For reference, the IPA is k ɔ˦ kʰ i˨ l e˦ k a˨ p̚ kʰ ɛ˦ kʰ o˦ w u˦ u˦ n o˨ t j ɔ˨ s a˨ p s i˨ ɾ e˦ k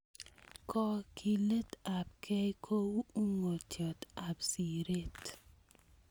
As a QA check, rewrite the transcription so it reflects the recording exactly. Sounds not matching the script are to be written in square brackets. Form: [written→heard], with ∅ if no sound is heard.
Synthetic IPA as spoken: k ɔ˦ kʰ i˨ l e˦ [k→t] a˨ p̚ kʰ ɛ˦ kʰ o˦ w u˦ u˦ [n→ŋ] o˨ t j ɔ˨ [s→t] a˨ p s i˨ ɾ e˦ [k→t]